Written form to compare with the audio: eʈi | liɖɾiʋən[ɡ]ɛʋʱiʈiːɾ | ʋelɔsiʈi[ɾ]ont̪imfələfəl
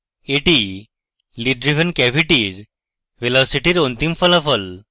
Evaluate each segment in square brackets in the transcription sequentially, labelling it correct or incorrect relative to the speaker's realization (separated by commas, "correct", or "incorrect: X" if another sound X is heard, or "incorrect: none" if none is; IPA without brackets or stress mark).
incorrect: k, correct